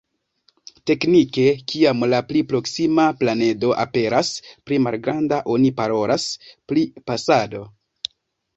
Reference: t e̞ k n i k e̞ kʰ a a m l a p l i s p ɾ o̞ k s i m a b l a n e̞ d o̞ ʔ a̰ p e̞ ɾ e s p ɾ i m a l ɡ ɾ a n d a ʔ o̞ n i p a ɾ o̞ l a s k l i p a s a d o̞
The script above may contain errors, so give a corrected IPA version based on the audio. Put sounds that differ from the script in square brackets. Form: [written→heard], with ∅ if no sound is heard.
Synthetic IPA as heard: t e̞ k n i k e̞ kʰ [a→i] a m l a p l i [s→∅] p ɾ o̞ k s i m a [b→p] l a n e̞ d o̞ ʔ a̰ p e̞ ɾ [e→a] s p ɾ i m a l ɡ ɾ a n d a ʔ o̞ n i p a ɾ o̞ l a s [k→p] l i p a s a d o̞